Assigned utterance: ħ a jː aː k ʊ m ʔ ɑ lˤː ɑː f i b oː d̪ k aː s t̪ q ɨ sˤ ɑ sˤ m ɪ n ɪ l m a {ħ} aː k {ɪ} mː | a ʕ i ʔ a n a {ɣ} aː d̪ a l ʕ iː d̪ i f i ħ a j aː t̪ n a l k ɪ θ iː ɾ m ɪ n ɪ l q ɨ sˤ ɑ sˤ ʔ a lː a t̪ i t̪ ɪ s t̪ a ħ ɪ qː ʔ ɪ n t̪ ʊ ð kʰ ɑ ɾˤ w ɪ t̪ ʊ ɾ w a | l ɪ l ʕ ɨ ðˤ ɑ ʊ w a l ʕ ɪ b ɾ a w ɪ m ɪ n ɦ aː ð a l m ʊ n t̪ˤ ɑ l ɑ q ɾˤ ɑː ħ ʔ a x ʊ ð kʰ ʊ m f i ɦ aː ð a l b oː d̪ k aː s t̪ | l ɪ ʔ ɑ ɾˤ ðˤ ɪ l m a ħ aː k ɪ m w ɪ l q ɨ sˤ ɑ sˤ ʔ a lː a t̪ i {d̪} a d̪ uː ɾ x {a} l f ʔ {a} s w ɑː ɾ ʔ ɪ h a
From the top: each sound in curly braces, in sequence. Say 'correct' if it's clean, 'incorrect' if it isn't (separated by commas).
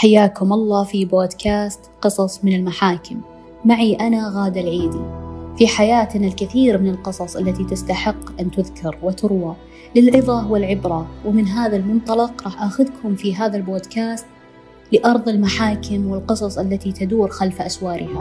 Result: correct, correct, correct, incorrect, correct, correct